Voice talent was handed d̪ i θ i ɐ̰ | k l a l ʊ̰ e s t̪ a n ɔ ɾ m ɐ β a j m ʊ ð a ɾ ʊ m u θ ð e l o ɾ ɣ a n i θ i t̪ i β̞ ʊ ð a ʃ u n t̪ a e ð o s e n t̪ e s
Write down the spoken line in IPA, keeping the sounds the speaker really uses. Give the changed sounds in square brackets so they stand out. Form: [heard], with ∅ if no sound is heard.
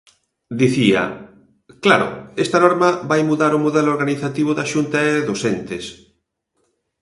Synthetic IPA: d̪ i θ i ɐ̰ | k l a [ɾ] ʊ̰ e s t̪ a n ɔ ɾ m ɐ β a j m [u] ð a ɾ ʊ m u [∅] ð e l o ɾ ɣ a n i θ [a] t̪ i β̞ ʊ ð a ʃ u n t̪ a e ð o s e n t̪ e s